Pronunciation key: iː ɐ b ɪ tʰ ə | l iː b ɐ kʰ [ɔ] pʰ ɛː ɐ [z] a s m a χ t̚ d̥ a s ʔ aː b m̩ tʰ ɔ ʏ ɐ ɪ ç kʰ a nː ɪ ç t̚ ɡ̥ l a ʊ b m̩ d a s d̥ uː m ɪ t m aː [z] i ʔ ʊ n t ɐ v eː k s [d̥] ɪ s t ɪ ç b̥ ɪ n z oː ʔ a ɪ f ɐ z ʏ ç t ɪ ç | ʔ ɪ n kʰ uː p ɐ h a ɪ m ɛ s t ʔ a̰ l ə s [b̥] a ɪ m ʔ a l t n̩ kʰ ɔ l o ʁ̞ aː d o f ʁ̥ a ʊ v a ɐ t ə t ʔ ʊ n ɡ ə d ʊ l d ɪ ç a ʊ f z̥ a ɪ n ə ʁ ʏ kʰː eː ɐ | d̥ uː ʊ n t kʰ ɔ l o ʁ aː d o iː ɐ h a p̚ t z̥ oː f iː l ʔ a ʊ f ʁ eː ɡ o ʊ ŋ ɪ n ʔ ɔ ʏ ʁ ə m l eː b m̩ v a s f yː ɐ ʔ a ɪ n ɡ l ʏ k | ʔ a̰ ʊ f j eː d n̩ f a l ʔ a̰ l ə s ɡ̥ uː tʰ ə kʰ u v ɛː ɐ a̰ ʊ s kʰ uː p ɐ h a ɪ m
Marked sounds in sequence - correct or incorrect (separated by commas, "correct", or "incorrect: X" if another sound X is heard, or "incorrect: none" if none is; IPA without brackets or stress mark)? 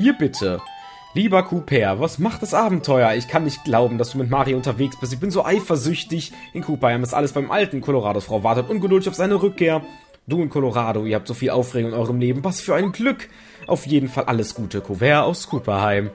incorrect: u, incorrect: v, incorrect: ʁ, incorrect: b̥, correct